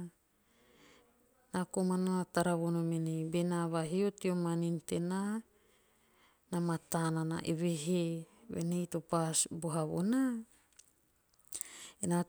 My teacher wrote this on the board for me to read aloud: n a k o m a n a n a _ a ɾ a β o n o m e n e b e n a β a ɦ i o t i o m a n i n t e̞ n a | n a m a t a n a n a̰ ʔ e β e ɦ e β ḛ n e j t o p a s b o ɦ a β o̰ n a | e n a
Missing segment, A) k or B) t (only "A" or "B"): B